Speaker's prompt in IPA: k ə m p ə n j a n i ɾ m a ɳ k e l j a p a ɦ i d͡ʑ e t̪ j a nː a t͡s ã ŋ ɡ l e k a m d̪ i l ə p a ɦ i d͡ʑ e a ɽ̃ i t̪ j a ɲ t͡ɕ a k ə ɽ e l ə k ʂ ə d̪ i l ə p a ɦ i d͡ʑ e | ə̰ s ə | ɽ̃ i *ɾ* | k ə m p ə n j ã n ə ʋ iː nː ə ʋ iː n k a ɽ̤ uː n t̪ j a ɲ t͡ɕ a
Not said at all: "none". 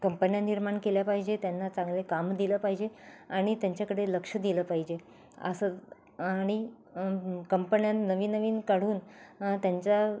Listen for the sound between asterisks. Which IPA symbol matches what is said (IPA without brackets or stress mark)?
none